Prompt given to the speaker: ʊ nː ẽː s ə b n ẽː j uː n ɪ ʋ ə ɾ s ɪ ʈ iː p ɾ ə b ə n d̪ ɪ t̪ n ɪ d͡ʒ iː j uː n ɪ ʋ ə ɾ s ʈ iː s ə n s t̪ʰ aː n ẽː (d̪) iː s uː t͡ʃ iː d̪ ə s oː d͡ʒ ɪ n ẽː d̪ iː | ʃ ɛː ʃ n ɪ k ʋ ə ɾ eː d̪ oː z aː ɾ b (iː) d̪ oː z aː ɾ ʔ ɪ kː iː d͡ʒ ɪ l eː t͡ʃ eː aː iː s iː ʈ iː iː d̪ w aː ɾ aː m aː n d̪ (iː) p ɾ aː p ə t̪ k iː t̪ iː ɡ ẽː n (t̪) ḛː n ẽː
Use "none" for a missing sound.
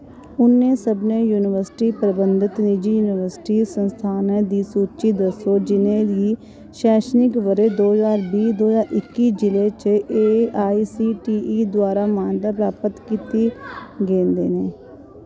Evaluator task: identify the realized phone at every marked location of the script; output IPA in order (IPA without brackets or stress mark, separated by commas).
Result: d̪, iː, aː, d̪